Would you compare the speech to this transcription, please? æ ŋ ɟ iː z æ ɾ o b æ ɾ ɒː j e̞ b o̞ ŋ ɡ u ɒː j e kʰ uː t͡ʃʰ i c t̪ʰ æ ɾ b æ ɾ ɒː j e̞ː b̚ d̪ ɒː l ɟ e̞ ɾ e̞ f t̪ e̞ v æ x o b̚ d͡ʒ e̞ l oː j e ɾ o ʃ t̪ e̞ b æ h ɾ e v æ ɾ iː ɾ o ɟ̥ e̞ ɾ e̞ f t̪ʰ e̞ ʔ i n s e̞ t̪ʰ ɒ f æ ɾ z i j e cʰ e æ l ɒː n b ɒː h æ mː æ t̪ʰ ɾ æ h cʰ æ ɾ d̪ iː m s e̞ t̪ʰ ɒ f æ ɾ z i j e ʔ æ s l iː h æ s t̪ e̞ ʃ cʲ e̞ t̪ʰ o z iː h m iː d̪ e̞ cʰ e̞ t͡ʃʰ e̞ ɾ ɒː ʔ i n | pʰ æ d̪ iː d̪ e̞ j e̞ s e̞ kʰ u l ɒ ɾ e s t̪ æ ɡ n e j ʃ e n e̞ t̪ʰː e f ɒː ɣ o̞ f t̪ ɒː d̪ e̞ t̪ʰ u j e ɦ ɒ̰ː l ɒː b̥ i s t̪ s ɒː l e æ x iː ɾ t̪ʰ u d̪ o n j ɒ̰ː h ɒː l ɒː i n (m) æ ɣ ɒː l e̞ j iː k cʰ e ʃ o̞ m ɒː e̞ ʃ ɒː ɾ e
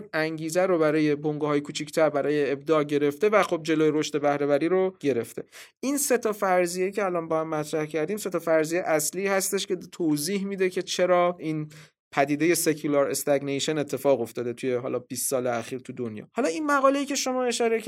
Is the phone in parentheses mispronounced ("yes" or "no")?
no